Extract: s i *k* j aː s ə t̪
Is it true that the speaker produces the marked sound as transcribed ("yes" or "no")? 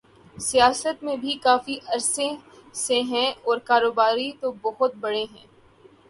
no